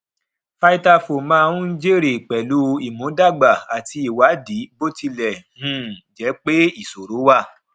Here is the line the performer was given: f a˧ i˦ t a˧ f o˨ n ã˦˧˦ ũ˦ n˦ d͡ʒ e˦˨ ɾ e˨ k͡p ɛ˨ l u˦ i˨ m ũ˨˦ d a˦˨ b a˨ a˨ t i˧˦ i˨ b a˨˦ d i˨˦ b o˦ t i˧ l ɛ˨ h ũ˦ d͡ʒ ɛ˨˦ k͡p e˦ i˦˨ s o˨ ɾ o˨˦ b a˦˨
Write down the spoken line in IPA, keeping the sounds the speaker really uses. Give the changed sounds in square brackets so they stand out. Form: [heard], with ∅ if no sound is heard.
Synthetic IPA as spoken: f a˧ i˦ t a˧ f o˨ [m] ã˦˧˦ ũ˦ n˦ d͡ʒ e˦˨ ɾ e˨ k͡p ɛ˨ l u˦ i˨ m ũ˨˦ d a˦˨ [ɡ͡b] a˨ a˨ t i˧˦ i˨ [w] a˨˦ d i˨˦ b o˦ t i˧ l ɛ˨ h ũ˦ d͡ʒ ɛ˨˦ k͡p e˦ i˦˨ s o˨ ɾ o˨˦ [w] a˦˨

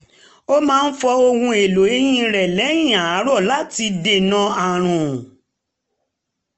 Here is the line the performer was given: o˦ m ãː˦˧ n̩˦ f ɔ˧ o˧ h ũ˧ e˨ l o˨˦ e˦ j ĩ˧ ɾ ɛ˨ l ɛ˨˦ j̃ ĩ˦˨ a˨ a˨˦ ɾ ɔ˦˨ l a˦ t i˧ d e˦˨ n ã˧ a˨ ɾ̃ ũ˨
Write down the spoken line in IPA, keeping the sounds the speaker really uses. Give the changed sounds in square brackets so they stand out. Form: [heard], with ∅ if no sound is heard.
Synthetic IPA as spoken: o˦ m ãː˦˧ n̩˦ f ɔ˧ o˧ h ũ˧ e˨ l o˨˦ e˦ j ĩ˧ ɾ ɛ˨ l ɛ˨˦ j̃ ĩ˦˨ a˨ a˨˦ ɾ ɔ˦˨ l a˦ t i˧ d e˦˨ n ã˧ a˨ ɾ̃ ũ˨

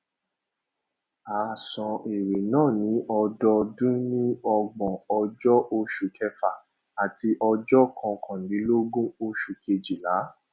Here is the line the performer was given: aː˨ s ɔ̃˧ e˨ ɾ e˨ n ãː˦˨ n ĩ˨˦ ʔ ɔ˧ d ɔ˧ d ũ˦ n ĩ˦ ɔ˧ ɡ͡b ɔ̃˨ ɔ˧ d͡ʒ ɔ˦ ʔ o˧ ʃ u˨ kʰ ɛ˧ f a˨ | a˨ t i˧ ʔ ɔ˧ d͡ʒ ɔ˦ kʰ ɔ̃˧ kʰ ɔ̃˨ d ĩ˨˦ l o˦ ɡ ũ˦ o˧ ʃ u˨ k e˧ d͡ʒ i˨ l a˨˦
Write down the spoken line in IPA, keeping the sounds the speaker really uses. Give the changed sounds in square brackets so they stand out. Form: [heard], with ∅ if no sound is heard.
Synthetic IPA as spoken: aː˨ s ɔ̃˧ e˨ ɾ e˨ n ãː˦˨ n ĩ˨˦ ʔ ɔ˧ d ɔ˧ d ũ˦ n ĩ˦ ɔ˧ ɡ͡b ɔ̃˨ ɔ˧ d͡ʒ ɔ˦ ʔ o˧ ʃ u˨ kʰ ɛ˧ f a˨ | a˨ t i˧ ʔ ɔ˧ d͡ʒ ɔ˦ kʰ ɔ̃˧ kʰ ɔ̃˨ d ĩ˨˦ l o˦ ɡ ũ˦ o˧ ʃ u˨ k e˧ d͡ʒ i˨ l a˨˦

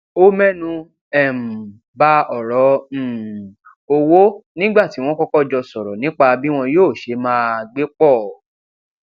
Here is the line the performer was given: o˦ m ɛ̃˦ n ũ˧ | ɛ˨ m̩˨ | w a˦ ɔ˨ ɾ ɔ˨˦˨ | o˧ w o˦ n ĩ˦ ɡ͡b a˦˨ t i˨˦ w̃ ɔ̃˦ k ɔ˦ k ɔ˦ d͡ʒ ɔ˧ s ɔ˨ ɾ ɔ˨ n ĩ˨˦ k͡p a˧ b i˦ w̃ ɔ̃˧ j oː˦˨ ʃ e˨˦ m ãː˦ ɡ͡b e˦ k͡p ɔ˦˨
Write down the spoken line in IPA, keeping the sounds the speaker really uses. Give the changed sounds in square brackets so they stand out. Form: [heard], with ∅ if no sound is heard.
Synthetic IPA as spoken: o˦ m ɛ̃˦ n ũ˧ | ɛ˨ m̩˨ | [b] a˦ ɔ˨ ɾ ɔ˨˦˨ | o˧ w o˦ n ĩ˦ ɡ͡b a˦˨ t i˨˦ w̃ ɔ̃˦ k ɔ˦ k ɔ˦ d͡ʒ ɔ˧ s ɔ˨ ɾ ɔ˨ n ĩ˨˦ k͡p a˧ b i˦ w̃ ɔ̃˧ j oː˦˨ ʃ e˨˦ m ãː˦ ɡ͡b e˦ k͡p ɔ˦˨

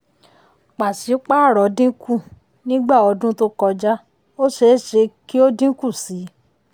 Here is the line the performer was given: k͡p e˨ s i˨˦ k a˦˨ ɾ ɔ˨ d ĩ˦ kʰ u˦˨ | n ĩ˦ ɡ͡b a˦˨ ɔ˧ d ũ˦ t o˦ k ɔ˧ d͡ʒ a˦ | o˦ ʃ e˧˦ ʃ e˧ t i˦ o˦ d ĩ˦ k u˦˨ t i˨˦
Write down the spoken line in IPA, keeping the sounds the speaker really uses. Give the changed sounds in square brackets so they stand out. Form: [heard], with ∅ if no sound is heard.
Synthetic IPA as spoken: k͡p [a˨] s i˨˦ [k͡p] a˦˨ ɾ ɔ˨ d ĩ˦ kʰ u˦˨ | n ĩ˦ ɡ͡b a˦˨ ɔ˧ d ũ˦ t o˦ k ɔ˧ d͡ʒ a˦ | o˦ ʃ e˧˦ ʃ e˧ [k] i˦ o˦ d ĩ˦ k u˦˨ [s] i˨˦

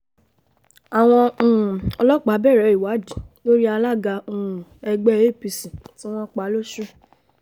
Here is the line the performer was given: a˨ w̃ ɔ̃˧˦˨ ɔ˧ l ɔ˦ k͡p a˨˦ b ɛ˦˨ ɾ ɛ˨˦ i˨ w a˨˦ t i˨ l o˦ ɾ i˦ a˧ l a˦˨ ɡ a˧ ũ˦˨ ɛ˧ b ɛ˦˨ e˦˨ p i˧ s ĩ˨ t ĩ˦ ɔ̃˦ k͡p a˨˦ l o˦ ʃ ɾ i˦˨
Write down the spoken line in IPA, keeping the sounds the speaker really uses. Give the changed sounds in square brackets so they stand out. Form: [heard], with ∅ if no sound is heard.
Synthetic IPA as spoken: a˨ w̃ ɔ̃˧˦˨ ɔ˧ l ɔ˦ k͡p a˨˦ b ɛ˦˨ ɾ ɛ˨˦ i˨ w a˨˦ [d] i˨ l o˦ ɾ i˦ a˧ l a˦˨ ɡ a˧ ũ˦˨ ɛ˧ [ɡ͡b] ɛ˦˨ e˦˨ p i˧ s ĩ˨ t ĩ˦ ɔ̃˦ k͡p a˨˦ l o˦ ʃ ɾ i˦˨

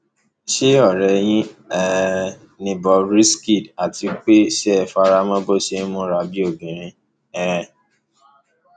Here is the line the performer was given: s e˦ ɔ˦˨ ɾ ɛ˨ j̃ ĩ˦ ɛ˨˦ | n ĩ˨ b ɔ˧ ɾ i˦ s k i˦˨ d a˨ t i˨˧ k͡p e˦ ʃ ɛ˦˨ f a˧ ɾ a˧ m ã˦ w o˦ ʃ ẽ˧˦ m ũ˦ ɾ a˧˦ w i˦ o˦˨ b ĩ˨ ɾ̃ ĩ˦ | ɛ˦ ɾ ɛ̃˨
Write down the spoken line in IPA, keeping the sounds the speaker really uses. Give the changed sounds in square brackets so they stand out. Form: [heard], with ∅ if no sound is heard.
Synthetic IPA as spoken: [ʃ] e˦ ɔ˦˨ ɾ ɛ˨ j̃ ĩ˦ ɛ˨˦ | n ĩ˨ b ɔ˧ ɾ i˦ s k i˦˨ d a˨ t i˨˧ k͡p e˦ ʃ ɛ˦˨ f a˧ ɾ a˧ m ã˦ [b] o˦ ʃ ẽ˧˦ m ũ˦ ɾ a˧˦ [b] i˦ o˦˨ b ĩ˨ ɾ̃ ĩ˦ | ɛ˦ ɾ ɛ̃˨

